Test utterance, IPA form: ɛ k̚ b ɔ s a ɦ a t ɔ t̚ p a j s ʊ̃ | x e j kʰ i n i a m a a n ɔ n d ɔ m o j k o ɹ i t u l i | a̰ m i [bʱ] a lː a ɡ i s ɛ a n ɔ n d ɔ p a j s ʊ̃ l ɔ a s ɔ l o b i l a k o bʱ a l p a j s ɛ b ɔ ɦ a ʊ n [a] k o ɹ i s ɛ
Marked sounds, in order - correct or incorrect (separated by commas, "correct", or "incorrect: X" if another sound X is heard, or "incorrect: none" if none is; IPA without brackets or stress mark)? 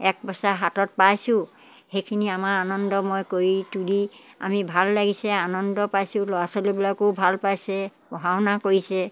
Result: correct, correct